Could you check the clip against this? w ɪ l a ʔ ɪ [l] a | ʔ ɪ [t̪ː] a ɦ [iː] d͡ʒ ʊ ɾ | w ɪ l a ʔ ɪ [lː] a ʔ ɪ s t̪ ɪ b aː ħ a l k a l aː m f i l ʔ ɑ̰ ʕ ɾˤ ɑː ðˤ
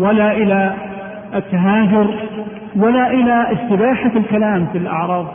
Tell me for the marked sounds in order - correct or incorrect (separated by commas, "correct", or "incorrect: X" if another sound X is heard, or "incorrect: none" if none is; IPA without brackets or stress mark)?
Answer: correct, correct, incorrect: aː, incorrect: l